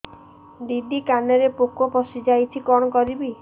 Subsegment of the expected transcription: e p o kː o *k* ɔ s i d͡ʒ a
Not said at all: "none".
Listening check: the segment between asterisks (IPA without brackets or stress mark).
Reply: p